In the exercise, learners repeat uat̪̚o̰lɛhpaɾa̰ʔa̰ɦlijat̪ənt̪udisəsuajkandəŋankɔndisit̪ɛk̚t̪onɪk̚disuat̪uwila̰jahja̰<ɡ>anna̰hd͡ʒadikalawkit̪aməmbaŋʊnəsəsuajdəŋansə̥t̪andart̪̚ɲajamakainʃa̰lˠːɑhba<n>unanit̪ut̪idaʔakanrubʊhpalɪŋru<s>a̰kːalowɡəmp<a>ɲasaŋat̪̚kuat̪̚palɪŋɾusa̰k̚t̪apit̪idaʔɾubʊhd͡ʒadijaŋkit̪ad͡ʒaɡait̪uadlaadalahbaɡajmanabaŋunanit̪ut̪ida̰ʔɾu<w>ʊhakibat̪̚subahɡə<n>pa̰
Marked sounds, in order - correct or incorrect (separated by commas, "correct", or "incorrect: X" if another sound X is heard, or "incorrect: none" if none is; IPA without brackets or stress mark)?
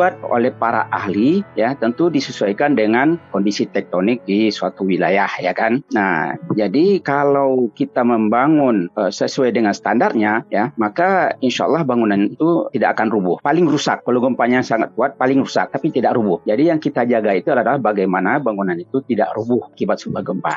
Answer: incorrect: k, incorrect: ŋ, correct, correct, incorrect: b, incorrect: m